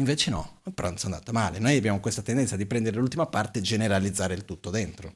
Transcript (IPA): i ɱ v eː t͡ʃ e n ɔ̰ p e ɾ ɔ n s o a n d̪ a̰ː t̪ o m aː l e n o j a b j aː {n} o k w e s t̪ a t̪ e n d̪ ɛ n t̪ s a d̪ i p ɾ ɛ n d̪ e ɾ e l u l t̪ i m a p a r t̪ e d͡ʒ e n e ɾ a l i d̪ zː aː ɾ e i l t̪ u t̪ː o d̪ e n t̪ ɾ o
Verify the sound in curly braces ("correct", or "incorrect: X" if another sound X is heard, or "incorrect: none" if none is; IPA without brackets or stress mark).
incorrect: m